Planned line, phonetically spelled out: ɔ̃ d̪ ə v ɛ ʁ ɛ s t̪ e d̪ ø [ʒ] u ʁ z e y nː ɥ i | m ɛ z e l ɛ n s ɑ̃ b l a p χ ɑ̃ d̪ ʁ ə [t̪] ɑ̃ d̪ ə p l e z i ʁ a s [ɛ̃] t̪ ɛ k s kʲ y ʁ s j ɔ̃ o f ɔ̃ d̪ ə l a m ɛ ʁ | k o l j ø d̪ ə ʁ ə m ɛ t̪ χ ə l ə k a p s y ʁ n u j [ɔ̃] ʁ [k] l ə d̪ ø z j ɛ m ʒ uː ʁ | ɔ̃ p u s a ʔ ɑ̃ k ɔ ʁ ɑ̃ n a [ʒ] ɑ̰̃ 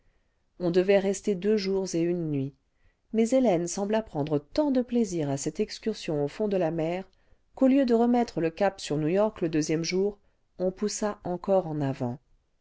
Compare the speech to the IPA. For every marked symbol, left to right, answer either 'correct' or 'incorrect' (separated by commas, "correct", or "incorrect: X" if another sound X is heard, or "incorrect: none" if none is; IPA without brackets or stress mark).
correct, correct, incorrect: ɛ, incorrect: ɔ, correct, incorrect: v